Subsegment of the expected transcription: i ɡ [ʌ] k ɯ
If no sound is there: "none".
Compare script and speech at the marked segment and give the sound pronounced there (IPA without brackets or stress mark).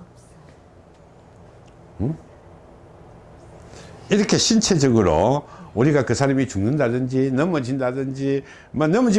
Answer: a